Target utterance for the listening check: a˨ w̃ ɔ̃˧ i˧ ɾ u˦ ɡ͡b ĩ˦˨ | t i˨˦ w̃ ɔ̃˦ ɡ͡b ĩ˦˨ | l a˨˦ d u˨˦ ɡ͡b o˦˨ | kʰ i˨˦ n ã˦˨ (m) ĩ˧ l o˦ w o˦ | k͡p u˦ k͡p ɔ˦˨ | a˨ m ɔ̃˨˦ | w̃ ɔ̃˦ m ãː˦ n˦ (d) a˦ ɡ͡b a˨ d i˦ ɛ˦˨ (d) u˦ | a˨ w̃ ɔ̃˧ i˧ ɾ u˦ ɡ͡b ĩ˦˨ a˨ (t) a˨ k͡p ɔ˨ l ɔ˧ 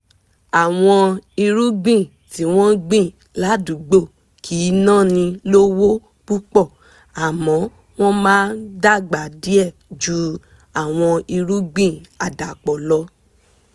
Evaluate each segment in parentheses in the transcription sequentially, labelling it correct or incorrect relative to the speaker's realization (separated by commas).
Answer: incorrect, correct, incorrect, incorrect